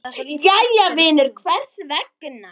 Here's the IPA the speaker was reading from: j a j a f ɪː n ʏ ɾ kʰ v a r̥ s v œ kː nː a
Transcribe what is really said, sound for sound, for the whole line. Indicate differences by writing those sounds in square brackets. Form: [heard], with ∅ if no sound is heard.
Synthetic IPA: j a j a [v] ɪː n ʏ ɾ kʰ v [ɛ] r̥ s v [ɛ] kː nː a